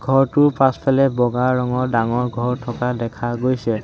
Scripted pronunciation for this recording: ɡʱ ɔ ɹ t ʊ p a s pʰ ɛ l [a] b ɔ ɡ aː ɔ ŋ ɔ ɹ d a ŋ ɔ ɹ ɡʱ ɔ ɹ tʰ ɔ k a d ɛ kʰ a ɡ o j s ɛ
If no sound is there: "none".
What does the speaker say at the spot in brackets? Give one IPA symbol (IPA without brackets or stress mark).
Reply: ɛ